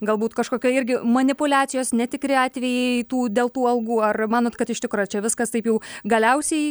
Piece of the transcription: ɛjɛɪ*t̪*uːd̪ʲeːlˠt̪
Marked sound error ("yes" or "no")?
no